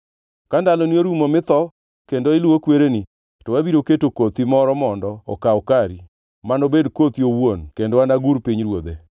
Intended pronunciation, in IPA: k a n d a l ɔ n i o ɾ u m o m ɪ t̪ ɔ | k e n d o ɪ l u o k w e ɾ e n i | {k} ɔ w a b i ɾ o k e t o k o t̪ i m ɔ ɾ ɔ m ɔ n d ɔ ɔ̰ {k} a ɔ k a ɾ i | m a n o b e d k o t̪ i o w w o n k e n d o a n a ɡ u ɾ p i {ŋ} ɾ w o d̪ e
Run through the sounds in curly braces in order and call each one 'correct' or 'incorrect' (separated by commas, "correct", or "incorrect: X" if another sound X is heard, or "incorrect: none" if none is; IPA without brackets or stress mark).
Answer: incorrect: t, correct, incorrect: ɲ